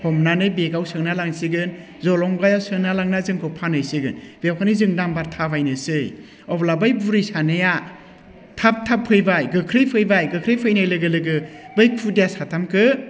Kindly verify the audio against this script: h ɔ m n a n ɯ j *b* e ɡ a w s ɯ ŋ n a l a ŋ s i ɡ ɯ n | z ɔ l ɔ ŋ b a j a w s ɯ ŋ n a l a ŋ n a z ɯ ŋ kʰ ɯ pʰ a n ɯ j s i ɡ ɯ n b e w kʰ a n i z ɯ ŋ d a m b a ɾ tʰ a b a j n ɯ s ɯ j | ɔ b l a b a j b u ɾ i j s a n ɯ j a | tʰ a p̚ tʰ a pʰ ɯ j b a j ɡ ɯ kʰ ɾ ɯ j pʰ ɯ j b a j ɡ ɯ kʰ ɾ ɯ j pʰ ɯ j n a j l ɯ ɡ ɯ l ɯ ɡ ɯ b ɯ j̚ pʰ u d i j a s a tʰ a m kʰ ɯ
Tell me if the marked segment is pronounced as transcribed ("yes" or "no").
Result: yes